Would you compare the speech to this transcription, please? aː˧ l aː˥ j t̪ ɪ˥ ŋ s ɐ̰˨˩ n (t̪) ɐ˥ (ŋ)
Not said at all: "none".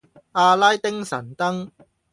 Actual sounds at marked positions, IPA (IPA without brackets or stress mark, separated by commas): t̪, ŋ